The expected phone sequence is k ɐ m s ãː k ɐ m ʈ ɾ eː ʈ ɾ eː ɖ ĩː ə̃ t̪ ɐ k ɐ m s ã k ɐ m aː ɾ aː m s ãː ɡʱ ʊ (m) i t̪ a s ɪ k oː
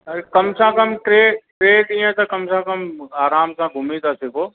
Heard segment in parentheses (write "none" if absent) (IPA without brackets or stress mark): m